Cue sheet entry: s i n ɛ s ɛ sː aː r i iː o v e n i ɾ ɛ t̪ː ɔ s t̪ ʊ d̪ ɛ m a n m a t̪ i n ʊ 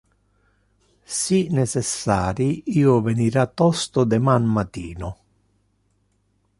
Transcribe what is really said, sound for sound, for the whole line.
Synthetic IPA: s i n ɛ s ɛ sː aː ɾ i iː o v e n i ɾ a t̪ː ɔ s t̪ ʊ d̪ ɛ m a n m a t̪ iː n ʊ